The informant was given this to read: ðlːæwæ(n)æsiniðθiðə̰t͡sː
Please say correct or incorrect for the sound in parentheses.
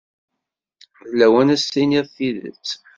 correct